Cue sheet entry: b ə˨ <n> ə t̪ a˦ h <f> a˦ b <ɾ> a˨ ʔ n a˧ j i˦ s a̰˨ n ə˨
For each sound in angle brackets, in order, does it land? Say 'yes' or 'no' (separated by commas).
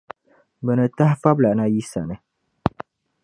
yes, yes, no